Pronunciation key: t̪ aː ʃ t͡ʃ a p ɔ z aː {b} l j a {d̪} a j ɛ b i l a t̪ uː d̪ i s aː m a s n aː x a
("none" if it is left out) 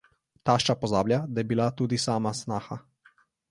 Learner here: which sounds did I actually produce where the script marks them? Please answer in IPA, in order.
b, d̪

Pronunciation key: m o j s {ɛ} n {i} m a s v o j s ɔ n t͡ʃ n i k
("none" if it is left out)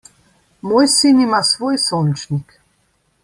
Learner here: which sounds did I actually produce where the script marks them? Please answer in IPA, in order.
i, i

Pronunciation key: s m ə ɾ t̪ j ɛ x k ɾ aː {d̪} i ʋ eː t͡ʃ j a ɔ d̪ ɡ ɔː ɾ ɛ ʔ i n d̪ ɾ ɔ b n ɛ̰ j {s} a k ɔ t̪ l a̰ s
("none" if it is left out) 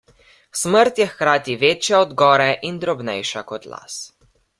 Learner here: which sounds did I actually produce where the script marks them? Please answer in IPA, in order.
t̪, ʃ

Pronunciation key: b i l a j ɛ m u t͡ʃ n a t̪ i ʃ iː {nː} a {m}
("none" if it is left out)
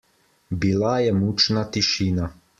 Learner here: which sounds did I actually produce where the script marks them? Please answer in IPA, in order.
n, none

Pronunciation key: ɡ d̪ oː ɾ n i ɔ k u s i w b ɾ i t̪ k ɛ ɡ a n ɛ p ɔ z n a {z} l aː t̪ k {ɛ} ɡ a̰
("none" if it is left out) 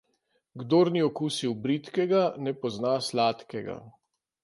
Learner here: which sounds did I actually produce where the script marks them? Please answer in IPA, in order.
s, ɛ

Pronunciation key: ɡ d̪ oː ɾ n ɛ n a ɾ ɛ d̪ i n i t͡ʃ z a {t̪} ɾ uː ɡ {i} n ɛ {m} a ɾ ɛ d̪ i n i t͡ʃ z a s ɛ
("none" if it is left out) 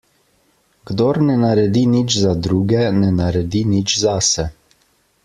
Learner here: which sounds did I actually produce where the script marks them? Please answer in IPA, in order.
d̪, ɛ, n

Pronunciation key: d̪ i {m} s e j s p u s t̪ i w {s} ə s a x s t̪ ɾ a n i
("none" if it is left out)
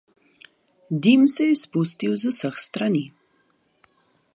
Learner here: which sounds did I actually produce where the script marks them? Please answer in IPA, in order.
m, z

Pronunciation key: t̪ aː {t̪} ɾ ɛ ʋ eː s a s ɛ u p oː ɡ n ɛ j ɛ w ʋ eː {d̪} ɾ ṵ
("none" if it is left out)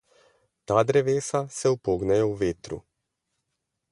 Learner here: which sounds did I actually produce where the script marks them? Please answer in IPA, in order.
d̪, t̪

